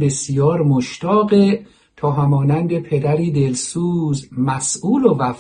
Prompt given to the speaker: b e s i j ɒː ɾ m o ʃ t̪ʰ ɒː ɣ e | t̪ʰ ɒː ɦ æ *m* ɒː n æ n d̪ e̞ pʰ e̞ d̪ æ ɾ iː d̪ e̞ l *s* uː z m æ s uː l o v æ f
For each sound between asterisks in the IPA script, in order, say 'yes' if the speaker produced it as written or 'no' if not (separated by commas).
yes, yes